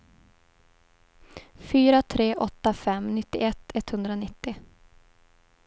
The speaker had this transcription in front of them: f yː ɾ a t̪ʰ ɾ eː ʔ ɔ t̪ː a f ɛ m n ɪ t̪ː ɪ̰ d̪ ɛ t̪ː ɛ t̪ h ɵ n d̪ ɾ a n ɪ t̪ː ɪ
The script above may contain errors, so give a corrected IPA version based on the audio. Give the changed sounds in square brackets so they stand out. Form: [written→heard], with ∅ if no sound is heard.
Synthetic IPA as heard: f yː ɾ a t̪ʰ ɾ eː ʔ ɔ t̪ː a f ɛ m n ɪ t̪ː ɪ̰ [d̪→∅] ɛ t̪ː ɛ t̪ h ɵ n d̪ ɾ a n ɪ t̪ː ɪ